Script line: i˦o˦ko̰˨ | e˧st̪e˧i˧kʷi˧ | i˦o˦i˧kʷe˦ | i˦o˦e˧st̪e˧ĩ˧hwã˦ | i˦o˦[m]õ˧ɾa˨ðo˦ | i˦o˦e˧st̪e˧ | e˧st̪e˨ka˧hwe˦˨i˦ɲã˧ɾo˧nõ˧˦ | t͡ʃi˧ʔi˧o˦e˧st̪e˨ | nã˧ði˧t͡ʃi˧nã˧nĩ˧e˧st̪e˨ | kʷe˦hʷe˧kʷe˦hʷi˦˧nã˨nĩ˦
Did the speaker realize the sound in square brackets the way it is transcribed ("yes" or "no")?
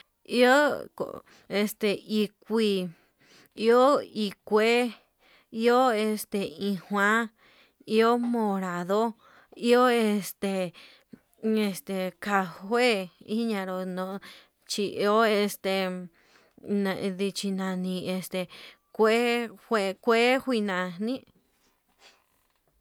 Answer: yes